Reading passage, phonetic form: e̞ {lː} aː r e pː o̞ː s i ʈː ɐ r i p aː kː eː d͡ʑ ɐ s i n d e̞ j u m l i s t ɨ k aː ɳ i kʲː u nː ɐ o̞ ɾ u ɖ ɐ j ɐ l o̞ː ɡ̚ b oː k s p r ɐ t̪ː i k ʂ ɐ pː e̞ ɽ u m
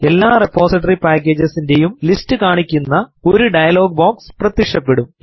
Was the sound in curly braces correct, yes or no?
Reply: yes